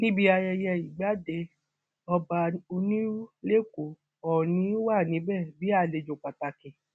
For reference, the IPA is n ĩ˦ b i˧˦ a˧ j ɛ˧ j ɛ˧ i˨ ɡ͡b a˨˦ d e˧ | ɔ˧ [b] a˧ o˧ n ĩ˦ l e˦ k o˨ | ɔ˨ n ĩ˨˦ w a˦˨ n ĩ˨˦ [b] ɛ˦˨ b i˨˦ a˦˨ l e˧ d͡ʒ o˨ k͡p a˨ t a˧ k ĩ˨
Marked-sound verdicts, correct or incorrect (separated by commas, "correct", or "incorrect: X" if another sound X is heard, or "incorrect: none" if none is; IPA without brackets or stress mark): correct, correct